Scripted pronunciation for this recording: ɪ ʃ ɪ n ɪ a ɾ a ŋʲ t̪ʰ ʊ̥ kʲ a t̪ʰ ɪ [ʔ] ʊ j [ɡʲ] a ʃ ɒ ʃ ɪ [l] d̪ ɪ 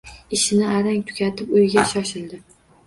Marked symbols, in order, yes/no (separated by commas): no, yes, yes